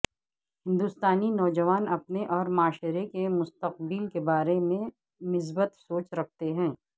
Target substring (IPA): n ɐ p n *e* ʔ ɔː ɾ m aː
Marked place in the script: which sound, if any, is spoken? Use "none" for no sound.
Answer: e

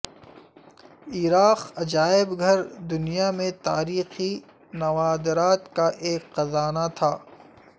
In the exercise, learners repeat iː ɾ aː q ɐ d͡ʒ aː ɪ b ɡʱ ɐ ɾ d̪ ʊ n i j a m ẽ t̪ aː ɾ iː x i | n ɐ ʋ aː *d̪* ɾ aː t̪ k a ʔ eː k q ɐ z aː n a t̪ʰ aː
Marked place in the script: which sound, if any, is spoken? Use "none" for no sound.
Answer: d̪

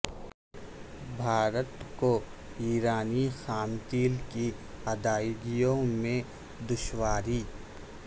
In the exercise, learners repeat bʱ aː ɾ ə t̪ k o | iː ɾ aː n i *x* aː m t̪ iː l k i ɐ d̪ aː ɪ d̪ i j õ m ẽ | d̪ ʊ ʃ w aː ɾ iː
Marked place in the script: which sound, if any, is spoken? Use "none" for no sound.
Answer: x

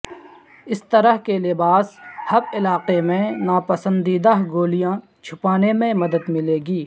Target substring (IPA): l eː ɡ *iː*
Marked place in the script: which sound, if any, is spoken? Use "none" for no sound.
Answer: iː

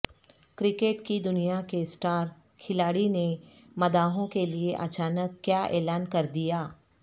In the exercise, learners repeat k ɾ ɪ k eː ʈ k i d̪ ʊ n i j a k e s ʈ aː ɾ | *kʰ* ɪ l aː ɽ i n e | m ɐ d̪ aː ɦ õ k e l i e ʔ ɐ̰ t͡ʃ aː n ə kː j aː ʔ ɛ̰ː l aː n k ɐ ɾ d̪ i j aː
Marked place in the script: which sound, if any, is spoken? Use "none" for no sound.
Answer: kʰ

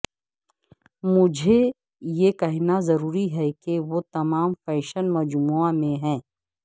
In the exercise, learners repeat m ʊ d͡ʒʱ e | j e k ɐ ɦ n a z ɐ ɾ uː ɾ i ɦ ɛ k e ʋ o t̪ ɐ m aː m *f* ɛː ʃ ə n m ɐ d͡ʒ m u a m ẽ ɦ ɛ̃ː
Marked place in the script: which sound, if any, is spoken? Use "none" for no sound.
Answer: f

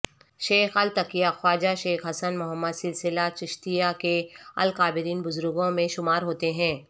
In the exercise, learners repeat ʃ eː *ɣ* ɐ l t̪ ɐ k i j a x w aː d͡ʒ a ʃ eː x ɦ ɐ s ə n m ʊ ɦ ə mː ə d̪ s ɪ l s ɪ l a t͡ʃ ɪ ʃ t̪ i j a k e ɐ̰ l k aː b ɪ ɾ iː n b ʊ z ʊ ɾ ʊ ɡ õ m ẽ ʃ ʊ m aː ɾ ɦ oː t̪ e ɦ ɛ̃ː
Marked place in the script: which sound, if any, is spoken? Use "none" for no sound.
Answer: x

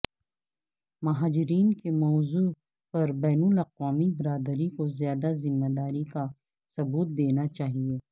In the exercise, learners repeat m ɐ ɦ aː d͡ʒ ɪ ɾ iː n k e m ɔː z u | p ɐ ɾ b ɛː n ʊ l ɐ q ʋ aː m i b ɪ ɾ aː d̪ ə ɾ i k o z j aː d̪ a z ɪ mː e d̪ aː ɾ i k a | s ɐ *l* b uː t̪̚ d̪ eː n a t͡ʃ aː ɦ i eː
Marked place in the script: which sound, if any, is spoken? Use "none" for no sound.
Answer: none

